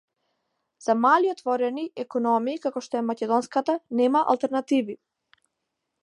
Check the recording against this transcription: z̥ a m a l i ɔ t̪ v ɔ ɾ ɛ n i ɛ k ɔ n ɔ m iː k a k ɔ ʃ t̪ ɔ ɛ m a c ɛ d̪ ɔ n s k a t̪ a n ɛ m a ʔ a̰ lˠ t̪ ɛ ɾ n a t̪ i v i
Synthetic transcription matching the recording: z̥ a m a l i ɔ t̪ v ɔ ɾ ɛ n i ɛ k ɔ n ɔ m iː k a k ɔ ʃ t̪ ɔ ɛ m a c ɛ d̪ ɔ n s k a t̪ a n ɛ m a ʔ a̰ lˠ t̪ ɛ ɾ n a t̪ i v i